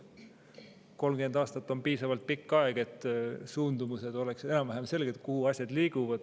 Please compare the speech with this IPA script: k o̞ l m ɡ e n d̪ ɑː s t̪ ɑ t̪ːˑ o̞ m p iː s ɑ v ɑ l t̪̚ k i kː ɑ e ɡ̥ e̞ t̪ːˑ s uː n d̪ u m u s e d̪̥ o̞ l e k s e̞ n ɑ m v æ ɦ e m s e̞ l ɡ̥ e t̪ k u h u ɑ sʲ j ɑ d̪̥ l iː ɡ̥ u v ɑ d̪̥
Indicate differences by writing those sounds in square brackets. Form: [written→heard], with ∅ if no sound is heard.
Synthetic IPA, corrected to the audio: k o̞ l m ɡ e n d̪ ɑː s t̪ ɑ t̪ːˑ o̞ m p iː s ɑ v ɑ l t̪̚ [k→p] i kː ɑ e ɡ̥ e̞ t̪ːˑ s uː n d̪ u m u s e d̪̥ o̞ l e k s e̞ n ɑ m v æ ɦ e m s e̞ l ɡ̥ e t̪ k u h u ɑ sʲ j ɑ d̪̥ l iː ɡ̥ u v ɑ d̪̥

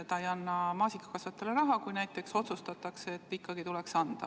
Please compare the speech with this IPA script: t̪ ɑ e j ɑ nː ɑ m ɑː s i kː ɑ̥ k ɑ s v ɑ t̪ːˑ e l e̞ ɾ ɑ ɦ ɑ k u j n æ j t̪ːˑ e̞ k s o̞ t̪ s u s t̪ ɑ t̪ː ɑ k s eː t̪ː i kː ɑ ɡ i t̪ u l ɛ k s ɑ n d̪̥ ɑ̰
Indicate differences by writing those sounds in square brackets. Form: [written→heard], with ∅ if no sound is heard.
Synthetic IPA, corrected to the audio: t̪ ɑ e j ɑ nː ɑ m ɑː s i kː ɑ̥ k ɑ s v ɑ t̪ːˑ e l e̞ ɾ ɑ ɦ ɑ k u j n æ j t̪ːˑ e̞ k s o̞ t̪ s u s t̪ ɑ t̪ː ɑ k s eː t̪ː i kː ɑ ɡ i t̪ u l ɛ k s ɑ n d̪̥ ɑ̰

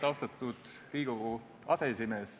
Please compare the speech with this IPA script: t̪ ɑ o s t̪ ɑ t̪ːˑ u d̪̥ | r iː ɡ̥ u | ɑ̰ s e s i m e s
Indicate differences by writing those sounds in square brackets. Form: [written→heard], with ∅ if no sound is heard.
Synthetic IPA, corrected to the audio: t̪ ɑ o s t̪ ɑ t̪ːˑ u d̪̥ | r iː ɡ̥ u | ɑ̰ s e s i m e s

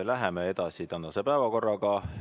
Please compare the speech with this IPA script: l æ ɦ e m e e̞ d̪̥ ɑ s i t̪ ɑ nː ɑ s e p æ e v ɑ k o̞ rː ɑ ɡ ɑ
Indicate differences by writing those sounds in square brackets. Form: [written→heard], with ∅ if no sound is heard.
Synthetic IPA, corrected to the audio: l æ ɦ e m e e̞ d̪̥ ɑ s i t̪ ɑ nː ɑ s e p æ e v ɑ k o̞ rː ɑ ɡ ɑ

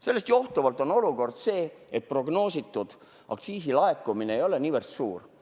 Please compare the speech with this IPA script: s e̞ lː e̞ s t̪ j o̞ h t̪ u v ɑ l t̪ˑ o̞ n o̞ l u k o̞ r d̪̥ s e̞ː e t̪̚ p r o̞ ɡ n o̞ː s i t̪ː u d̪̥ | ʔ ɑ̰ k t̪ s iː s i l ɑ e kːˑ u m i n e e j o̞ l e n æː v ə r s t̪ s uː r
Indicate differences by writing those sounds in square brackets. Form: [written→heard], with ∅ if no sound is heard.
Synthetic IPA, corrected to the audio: s e̞ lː e̞ s t̪ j o̞ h t̪ u v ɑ l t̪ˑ o̞ n o̞ l u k o̞ r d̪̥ s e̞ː e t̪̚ p r o̞ ɡ n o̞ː s i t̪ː u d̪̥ | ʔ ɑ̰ k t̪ s iː s i l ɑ e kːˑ u m i n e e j o̞ l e n [æː→iː] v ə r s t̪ s uː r

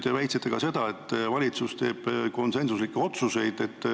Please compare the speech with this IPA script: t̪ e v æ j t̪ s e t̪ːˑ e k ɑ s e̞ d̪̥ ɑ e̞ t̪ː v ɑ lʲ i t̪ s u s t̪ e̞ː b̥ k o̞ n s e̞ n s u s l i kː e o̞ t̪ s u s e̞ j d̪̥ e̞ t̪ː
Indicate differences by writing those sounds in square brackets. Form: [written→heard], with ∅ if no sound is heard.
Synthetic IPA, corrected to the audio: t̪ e v æ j t̪ s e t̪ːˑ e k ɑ s e̞ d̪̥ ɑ e̞ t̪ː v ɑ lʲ i t̪ s u s t̪ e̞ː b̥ k o̞ n s e̞ n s u s l i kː e o̞ t̪ s u s e̞ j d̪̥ e̞ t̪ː

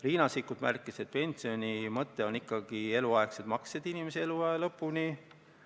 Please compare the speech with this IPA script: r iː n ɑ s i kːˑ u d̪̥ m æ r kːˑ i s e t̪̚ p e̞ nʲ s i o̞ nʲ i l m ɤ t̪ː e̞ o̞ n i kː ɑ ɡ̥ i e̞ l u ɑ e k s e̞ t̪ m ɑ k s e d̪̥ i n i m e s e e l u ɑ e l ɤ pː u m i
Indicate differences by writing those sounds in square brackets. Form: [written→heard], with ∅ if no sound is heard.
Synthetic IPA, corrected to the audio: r iː n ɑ s i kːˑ u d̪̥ m æ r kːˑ i s e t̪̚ p e̞ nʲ s i o̞ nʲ i [l→∅] m ɤ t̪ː e̞ o̞ n i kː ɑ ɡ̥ i e̞ l u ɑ e k s e̞ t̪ m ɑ k s e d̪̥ i n i m e s e e l u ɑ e l ɤ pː u [m→n] i

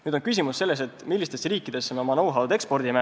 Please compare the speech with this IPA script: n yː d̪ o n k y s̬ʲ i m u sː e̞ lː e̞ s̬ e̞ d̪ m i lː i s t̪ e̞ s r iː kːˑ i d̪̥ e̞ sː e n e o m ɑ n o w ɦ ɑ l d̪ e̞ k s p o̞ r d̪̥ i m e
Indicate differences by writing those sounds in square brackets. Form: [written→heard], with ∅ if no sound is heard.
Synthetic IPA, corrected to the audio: n yː d̪ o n k y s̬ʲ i m u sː e̞ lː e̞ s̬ e̞ [d̪→t̪] m i lː i s t̪ e̞ s r iː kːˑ i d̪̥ e̞ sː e [n→m] e o m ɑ n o w ɦ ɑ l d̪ e̞ k s p o̞ r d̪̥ i m e

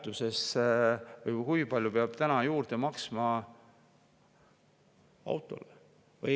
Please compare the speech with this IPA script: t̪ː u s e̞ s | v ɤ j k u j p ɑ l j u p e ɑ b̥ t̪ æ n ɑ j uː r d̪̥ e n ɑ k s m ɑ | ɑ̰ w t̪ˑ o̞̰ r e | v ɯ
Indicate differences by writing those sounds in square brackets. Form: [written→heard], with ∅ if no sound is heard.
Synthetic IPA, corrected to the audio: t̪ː u s e̞ s | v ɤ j k u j p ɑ l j u p e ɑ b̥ t̪ æ n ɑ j uː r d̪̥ e [n→m] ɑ k s m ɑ | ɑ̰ w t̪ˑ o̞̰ [r→l] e | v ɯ

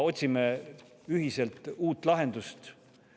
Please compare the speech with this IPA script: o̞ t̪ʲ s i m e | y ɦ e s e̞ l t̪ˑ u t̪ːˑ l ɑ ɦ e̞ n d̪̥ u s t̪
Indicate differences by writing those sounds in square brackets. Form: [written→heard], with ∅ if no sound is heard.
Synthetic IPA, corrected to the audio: o̞ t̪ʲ s i m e | y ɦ [e→i] s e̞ l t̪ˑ [u→uː] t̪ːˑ l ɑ ɦ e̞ n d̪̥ u s t̪

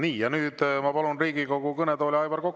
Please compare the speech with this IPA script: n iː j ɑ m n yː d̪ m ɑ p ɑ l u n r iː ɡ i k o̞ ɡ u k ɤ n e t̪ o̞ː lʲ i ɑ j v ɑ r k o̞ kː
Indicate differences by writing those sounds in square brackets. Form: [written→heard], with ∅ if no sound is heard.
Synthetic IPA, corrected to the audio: n iː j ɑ [m→∅] n yː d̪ m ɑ p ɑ l u n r iː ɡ i k o̞ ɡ u k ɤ n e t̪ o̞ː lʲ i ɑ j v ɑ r k o̞ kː

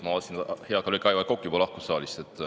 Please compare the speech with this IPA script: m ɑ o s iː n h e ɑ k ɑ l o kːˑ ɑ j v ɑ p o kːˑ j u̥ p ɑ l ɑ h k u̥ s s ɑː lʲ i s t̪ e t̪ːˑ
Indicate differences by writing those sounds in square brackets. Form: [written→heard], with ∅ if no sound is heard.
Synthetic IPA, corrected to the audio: m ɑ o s [iː→i] n h e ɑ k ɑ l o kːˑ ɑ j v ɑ [p→k] o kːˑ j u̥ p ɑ l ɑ h k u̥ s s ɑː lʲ i s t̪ e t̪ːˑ

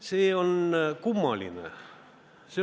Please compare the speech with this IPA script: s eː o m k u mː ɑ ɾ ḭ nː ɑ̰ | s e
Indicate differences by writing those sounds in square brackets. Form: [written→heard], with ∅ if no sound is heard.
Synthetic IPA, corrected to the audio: s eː o [m→n] k u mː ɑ [ɾ→l] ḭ [nː→n] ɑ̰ | s e

